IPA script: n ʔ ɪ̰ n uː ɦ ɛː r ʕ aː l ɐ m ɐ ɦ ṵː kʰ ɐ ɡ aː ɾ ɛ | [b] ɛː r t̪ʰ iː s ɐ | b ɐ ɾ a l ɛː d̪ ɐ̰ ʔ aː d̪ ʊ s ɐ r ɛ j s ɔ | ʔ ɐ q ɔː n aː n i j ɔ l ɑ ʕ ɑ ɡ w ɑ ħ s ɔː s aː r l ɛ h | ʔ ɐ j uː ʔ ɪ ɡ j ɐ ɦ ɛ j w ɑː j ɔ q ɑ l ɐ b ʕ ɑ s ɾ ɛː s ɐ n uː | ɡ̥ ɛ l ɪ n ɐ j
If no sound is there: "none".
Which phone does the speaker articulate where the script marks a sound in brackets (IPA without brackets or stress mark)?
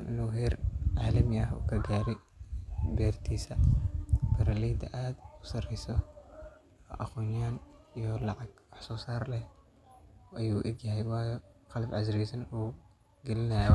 b